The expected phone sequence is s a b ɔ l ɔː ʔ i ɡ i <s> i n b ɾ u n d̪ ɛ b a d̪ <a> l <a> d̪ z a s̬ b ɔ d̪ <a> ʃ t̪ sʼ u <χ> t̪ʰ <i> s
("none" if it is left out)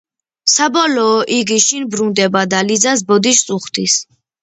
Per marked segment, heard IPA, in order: ʃ, a, i, i, χ, i

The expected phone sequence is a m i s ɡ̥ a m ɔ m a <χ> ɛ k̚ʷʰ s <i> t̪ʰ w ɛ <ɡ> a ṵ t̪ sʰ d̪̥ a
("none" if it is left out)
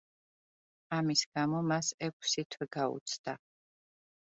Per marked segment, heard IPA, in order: s, i, ɡ

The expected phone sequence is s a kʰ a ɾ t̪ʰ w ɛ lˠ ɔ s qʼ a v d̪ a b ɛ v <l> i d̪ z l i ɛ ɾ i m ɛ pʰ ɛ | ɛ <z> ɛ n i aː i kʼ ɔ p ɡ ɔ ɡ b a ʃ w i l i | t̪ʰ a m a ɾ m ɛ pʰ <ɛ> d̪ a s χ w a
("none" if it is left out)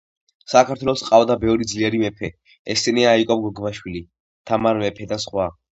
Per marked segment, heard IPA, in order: ɾ, s, ɛ

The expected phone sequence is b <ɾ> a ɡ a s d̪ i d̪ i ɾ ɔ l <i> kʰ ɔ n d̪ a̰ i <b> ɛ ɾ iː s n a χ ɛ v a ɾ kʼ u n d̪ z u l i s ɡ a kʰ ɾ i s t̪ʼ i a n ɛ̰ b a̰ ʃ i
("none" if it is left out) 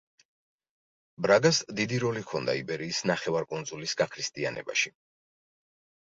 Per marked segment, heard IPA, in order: ɾ, i, b

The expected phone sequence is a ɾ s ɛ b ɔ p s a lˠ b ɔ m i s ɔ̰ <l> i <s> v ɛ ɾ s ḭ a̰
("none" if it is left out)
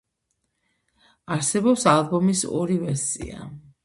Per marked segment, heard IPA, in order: ɾ, none

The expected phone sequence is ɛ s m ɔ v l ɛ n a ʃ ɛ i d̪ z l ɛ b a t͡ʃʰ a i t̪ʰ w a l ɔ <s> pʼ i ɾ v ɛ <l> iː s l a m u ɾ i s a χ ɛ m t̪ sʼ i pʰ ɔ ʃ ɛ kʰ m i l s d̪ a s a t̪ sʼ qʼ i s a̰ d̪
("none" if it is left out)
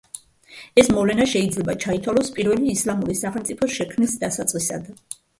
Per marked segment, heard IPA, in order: s, l

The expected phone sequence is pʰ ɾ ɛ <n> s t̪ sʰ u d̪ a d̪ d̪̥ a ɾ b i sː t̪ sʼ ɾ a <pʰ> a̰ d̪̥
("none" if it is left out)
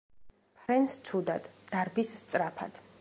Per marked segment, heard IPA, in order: n, pʰ

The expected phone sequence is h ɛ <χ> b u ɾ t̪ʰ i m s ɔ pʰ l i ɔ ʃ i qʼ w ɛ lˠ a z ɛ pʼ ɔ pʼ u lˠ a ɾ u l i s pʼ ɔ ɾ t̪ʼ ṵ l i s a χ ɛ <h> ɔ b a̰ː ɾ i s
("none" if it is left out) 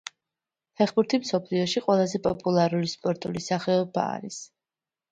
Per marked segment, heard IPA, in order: χ, none

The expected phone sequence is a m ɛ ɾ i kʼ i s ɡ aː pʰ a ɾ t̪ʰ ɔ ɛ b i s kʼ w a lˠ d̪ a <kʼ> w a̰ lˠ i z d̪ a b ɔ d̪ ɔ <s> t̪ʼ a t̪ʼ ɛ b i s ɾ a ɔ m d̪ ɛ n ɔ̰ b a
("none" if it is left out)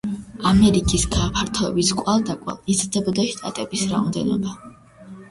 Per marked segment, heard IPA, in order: kʼ, ʃ

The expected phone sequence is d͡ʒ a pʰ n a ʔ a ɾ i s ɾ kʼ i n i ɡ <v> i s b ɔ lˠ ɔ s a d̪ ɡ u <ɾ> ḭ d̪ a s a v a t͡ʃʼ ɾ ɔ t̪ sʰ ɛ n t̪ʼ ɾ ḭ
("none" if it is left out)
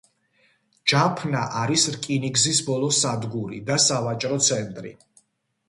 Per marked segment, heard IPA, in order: z, ɾ

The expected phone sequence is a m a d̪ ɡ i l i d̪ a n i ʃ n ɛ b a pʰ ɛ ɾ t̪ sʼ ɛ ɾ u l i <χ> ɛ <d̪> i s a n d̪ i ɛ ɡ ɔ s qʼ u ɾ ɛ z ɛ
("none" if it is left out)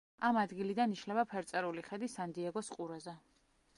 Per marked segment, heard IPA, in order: χ, d̪

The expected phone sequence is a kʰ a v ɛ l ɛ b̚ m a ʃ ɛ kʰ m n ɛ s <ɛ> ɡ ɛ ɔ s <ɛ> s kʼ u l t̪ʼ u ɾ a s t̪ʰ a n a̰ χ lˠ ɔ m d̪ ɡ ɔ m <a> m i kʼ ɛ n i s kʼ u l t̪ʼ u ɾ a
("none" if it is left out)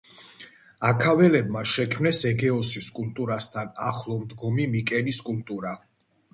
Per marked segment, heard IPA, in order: ɛ, i, i

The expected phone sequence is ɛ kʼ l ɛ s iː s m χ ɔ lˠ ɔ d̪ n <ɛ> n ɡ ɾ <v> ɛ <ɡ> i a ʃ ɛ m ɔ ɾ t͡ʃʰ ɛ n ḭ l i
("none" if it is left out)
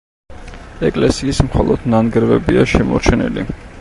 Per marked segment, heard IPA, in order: a, v, b

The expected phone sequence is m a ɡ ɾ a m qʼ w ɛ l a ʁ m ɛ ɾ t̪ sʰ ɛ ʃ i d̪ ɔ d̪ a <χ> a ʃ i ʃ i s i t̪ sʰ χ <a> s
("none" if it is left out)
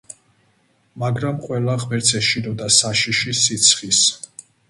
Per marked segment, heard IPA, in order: s, i

